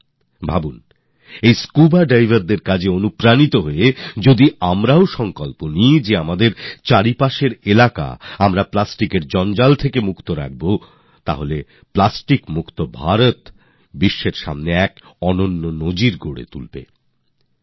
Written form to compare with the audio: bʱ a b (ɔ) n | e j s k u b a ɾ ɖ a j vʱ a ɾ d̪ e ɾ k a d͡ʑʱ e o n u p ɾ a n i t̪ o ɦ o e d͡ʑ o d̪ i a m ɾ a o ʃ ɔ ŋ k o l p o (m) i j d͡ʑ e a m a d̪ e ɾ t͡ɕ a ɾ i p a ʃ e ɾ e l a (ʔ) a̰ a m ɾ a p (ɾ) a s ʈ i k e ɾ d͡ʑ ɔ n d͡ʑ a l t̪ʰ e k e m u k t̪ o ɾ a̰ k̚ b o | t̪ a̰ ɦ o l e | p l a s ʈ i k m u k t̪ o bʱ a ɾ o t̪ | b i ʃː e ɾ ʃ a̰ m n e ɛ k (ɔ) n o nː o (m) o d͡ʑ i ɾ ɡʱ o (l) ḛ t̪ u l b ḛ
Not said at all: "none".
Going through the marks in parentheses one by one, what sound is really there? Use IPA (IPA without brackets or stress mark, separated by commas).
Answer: u, n, k, l, ɔ, n, ɽ